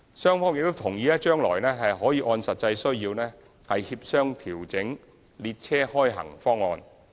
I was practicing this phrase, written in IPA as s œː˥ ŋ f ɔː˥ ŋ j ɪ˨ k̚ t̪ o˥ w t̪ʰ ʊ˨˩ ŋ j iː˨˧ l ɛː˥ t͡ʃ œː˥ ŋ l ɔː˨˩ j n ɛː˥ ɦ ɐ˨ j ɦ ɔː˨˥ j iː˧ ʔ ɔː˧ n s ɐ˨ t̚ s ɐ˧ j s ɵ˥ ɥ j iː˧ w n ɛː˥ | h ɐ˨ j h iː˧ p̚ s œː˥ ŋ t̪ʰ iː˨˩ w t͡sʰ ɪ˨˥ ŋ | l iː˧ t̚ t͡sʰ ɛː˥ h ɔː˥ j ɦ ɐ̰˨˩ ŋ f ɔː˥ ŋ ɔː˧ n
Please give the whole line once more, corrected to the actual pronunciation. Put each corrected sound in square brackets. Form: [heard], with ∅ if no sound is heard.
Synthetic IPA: s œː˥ ŋ f ɔː˥ ŋ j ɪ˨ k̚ t̪ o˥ w t̪ʰ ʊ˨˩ ŋ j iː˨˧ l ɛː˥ t͡ʃ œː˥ ŋ l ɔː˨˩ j n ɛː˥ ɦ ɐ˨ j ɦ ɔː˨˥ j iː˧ ʔ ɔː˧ n s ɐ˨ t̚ [t͡s] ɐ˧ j s ɵ˥ ɥ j iː˧ w n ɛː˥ | h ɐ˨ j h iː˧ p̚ s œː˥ ŋ t̪ʰ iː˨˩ w [t͡s] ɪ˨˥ ŋ | l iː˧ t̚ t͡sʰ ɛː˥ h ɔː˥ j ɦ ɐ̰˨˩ ŋ f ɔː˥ ŋ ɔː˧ n